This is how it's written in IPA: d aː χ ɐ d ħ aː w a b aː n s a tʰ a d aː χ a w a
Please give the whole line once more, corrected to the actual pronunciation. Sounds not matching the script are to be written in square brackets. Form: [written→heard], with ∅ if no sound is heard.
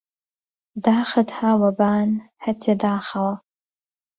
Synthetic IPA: d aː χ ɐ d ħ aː w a b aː n [s→ħ] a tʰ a d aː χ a w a